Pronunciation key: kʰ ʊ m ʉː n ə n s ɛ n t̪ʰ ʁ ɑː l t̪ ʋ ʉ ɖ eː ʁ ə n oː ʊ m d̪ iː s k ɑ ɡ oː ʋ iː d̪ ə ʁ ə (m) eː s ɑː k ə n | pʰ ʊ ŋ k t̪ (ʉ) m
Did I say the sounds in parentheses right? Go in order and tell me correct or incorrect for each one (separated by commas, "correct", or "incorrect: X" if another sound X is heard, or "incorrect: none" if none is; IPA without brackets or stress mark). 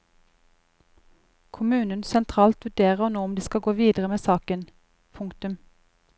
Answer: correct, correct